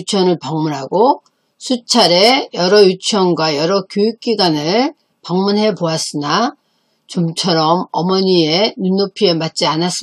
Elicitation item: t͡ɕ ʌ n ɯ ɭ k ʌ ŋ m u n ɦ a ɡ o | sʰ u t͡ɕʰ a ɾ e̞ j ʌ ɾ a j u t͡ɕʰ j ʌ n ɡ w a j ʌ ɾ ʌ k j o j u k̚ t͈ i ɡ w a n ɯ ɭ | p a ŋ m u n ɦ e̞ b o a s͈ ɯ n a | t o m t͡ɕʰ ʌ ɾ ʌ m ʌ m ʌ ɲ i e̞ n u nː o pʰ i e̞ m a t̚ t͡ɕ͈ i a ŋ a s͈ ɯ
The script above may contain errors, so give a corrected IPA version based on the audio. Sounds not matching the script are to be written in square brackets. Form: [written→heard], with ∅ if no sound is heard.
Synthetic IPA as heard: [t͡ɕ→t͡ɕʰ] ʌ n ɯ ɭ [k→p] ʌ ŋ m u n ɦ a ɡ o | sʰ u t͡ɕʰ a ɾ e̞ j ʌ ɾ [a→ʌ] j u t͡ɕʰ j ʌ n ɡ w a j ʌ ɾ ʌ k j o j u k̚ [t͈→k͈] i ɡ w a n ɯ ɭ | p a ŋ m u n ɦ e̞ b o a s͈ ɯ n a | [t→t͡ɕ] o m t͡ɕʰ ʌ ɾ ʌ m ʌ m ʌ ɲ i e̞ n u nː o pʰ i e̞ m a t̚ t͡ɕ͈ i a [ŋ→n] a s͈ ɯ